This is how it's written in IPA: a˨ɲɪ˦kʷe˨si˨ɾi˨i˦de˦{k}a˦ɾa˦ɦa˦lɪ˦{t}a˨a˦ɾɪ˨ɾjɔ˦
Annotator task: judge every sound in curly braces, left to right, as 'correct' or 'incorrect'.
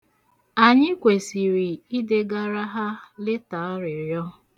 incorrect: ɡ, correct

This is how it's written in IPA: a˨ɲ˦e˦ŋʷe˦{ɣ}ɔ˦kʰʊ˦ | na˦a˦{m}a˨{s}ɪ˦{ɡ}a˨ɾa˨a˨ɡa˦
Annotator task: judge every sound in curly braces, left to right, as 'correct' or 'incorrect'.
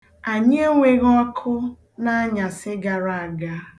correct, incorrect: ɲ, correct, correct

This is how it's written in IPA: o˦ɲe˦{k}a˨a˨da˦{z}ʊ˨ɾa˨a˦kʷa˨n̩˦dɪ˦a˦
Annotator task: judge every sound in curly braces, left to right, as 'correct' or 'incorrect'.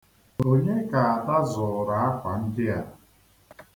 correct, correct

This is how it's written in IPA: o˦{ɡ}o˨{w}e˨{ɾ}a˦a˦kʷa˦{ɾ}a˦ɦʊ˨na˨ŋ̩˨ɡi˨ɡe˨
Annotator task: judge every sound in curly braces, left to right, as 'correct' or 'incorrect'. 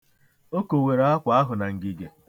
incorrect: k, correct, correct, incorrect: none

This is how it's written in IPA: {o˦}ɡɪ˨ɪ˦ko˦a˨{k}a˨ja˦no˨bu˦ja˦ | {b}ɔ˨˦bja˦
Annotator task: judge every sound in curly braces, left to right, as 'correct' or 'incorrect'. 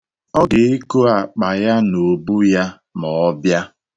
incorrect: ɔ˦, incorrect: k͡p, incorrect: m

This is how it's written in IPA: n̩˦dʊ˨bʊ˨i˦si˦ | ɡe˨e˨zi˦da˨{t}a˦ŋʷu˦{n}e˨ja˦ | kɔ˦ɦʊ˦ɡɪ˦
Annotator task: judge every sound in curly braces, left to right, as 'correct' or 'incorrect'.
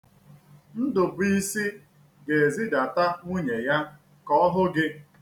correct, incorrect: ɲ

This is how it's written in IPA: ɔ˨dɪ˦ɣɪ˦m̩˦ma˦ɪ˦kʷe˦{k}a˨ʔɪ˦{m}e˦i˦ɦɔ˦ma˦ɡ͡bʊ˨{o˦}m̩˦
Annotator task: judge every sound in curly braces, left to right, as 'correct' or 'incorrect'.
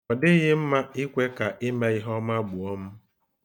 correct, correct, incorrect: ɔ˦

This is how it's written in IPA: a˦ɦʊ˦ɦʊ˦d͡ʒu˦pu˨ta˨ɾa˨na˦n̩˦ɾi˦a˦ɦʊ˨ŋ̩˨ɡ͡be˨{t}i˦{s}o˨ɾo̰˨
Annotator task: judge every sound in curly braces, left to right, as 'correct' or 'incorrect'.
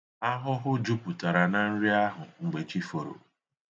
incorrect: t͡ʃ, incorrect: f

